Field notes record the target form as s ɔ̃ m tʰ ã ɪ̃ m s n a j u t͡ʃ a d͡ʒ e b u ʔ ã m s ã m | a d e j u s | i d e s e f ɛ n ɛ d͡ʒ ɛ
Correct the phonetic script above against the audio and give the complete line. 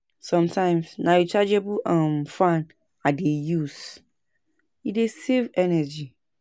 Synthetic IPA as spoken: s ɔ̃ m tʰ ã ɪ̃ m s n a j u t͡ʃ a d͡ʒ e b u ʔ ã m f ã n | a d e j u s | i d e s e v ɛ n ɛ d͡ʒ i